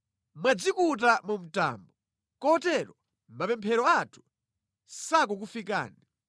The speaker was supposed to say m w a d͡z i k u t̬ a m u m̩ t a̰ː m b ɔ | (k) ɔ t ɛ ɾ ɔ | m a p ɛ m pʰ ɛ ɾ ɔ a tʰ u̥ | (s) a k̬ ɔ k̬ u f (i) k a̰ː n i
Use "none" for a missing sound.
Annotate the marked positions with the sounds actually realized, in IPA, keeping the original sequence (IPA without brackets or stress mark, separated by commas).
k, s, i